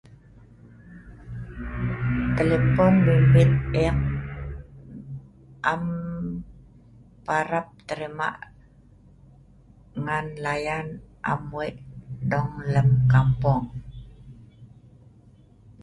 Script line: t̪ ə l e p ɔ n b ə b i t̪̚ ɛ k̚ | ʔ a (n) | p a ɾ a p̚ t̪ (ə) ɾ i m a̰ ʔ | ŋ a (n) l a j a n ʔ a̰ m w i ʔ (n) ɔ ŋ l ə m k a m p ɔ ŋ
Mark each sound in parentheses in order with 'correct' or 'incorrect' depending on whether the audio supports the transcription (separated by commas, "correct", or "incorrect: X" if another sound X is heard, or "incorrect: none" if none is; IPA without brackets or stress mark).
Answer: incorrect: m, correct, correct, incorrect: d